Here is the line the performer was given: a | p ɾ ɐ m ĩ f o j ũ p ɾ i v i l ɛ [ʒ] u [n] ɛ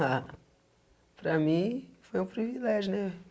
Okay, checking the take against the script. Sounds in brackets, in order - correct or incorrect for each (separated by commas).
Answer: correct, correct